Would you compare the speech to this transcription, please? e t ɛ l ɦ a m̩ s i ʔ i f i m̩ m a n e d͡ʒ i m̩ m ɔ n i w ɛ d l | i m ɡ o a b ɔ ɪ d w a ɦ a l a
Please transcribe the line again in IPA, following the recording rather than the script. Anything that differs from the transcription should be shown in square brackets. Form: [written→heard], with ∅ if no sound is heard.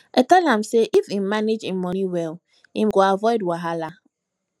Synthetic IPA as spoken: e t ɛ l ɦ a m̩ s [i→e] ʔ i f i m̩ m a n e d͡ʒ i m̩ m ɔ n i w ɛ [d→∅] l | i m ɡ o a [b→v] ɔ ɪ d w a ɦ a l a